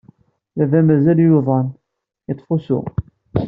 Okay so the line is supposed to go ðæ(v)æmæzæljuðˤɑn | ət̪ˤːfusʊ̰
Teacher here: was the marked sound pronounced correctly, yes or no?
yes